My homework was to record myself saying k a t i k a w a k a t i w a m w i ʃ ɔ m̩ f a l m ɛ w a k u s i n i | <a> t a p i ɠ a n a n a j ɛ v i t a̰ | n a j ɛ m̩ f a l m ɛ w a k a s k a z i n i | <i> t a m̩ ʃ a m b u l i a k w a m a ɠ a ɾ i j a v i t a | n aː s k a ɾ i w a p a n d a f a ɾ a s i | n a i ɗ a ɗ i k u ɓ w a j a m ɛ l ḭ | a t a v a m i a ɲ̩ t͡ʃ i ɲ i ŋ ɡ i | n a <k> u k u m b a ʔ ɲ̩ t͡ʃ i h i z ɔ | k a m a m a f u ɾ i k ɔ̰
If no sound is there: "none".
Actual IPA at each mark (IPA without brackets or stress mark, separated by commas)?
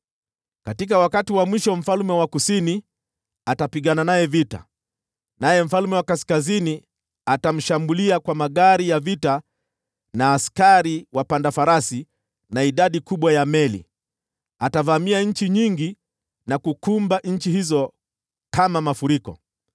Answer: a, a, k